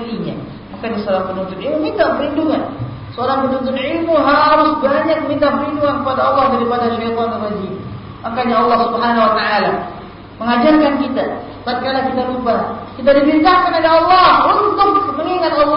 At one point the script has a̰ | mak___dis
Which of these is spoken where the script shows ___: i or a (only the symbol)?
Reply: a